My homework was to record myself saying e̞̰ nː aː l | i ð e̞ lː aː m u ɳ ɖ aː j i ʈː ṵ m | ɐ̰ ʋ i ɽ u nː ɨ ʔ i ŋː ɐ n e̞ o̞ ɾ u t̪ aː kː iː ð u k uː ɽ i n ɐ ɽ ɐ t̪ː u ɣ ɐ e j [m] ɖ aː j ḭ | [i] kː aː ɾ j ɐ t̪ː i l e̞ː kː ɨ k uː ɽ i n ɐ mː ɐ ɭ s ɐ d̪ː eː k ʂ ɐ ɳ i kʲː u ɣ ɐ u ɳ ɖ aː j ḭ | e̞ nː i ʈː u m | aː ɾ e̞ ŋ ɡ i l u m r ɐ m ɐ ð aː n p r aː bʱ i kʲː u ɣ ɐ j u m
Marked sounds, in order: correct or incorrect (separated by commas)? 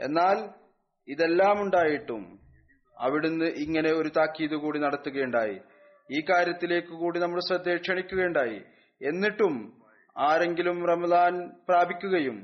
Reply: incorrect, incorrect